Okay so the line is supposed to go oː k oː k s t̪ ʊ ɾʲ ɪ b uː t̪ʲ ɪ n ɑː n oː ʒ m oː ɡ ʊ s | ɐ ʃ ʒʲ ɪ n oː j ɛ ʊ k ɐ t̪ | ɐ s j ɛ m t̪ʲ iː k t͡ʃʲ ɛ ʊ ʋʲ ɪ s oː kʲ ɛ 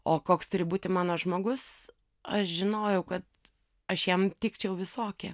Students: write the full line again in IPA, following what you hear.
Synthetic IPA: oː k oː k s t̪ ʊ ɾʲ ɪ b uː t̪ʲ ɪ m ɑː n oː ʒ m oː ɡ ʊ s | ɐ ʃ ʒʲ ɪ n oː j ɛ ʊ k ɐ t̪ | ɐ ʃ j ɛ m t̪ʲ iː k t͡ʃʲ ɛ ʊ ʋʲ ɪ s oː kʲ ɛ